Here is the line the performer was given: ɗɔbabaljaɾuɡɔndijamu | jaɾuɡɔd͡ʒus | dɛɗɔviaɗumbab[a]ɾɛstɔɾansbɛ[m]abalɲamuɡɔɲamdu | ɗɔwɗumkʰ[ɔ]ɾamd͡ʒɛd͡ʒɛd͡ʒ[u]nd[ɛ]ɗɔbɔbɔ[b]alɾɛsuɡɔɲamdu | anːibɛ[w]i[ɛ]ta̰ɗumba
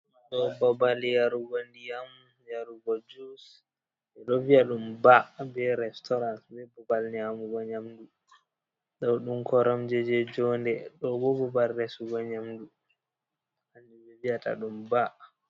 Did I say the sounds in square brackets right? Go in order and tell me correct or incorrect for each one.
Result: incorrect, incorrect, correct, incorrect, correct, correct, incorrect, incorrect

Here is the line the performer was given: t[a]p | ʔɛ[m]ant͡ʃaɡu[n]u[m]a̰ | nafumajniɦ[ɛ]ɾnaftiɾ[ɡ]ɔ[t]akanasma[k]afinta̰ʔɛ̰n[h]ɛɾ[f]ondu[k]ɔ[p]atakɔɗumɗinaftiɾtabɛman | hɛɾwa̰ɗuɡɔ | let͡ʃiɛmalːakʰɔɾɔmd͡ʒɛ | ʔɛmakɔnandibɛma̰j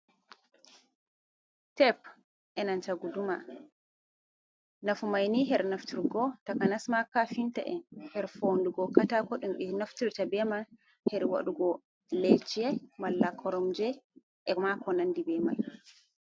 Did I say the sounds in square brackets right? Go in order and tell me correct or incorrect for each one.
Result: incorrect, incorrect, incorrect, correct, correct, correct, correct, correct, correct, correct, incorrect, incorrect

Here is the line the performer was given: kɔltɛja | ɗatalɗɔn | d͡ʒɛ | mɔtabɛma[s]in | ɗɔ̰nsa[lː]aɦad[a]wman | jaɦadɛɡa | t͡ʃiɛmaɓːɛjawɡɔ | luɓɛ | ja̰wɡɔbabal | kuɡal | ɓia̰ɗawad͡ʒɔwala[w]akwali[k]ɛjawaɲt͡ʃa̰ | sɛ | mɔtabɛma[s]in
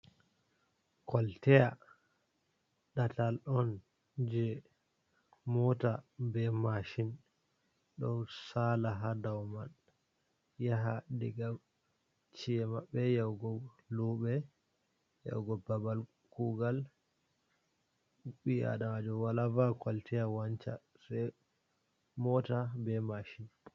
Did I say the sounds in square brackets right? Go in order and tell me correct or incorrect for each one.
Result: incorrect, incorrect, correct, incorrect, incorrect, incorrect

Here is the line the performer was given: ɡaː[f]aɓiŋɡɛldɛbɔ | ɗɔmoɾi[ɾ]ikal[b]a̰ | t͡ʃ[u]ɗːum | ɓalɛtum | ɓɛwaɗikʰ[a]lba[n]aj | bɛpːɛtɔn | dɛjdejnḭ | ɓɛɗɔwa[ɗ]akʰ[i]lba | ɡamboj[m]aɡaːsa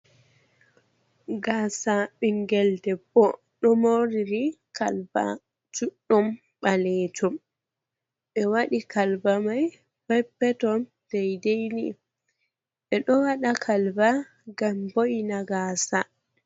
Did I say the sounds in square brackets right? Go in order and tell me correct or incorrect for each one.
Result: incorrect, correct, correct, correct, correct, incorrect, correct, incorrect, incorrect

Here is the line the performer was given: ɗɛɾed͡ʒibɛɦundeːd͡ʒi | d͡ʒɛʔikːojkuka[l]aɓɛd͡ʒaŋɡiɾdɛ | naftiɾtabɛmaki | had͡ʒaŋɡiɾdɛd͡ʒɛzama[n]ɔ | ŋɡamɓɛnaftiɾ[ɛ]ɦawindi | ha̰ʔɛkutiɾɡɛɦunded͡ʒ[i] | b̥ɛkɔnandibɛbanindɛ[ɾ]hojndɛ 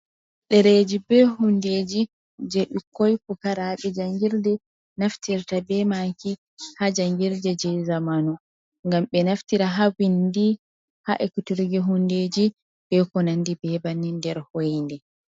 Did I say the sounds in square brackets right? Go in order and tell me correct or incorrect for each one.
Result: incorrect, correct, incorrect, correct, correct

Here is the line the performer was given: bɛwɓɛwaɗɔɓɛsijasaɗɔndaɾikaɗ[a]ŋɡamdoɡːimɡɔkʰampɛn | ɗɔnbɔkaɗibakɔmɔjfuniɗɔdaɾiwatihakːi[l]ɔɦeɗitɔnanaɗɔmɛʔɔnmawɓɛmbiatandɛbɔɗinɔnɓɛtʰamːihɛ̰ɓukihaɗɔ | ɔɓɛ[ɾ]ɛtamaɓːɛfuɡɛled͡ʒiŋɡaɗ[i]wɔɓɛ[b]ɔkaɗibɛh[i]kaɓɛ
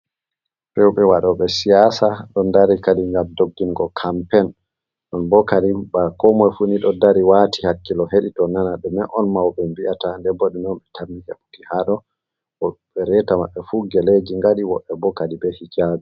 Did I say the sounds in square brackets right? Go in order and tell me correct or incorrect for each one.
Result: incorrect, correct, correct, correct, correct, correct

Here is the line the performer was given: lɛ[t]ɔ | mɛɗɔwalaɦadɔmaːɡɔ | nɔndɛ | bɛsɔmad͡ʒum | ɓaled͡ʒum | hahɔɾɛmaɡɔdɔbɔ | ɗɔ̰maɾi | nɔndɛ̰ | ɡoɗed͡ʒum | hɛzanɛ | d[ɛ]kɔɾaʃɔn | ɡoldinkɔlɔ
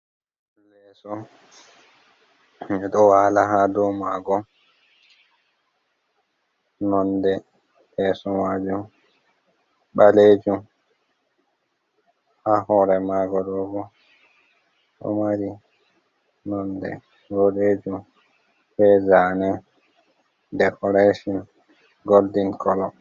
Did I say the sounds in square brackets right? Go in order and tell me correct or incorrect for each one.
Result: incorrect, correct

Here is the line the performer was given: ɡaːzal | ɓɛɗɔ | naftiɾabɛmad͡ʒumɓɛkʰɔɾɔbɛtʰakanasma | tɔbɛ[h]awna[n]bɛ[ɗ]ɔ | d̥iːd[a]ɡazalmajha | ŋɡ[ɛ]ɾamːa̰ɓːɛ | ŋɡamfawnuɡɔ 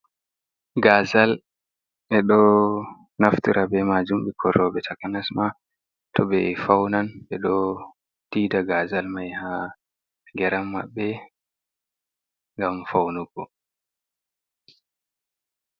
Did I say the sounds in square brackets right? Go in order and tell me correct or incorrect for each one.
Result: incorrect, correct, correct, correct, correct

